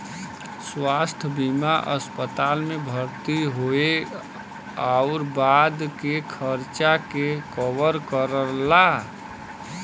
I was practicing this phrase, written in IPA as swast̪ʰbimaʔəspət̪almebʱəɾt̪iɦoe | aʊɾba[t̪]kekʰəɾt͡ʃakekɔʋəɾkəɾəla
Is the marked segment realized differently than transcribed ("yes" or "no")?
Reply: yes